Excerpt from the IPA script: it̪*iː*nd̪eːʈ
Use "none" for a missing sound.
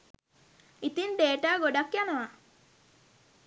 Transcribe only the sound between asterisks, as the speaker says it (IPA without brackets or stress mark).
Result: i